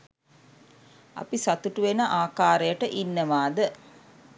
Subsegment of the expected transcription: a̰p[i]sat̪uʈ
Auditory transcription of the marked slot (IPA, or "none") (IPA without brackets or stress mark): i